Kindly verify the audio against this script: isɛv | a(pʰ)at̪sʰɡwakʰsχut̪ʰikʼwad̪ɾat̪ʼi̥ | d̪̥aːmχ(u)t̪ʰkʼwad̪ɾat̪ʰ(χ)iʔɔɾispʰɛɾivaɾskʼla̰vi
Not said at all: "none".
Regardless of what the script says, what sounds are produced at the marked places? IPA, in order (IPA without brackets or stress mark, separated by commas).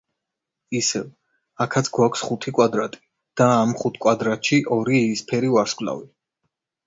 kʰ, u, ʃ